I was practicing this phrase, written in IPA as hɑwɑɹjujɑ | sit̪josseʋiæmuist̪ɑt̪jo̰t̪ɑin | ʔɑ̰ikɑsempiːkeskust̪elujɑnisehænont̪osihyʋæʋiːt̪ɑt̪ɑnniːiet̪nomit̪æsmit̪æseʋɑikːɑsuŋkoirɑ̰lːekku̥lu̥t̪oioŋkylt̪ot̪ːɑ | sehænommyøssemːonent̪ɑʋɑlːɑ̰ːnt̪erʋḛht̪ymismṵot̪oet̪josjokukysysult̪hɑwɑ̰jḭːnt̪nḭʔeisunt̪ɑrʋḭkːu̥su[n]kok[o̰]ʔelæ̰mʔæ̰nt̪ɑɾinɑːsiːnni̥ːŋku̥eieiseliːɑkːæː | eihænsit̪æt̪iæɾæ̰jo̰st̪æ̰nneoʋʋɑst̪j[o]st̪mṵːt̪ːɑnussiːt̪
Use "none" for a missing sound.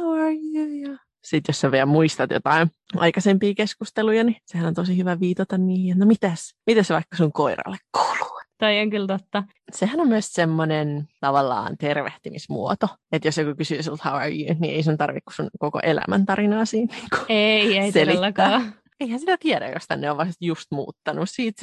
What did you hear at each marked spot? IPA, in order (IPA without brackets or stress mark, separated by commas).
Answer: n, o̰, u